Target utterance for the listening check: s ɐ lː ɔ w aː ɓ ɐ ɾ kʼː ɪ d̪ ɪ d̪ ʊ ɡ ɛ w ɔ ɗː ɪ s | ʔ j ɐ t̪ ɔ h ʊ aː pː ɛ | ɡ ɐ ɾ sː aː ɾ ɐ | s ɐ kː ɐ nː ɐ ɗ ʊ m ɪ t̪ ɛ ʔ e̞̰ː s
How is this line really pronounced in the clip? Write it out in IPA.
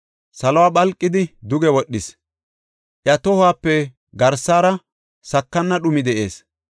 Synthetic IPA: s ɐ l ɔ w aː ɓ ɐ l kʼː ɪ d̪ ɪ d̪ ʊ ɡ ɛ w ɔ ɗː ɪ s | ʔ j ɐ t̪ ɔ h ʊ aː pː ɛ | ɡ ɐ ɾ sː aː ɾ ɐ | s ɐ kː ɐ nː ɐ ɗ ʊ m ɪ d̪ ɛ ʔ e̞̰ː s